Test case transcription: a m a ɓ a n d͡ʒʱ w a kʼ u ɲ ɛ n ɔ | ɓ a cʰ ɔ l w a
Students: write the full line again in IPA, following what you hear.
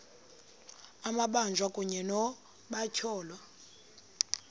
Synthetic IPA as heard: a m a ɓ a n d͡ʒʱ w a kʼ u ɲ ɛ n ɔ | ɓ a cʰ ɔː l w a